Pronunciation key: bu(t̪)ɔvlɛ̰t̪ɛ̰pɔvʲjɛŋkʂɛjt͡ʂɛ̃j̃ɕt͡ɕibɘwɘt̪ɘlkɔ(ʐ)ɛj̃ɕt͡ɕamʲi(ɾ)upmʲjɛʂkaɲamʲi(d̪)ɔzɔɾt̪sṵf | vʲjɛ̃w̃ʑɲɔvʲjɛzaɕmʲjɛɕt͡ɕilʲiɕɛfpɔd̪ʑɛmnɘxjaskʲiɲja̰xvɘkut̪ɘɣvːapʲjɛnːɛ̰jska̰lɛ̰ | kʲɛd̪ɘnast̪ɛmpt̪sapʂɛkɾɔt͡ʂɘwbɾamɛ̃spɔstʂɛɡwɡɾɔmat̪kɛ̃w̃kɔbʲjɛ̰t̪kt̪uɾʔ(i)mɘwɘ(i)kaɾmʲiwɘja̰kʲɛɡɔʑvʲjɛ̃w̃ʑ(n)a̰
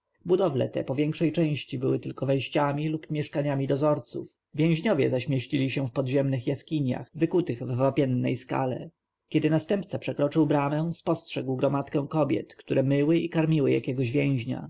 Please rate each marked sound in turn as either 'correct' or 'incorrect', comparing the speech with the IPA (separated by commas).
incorrect, incorrect, incorrect, correct, incorrect, correct, incorrect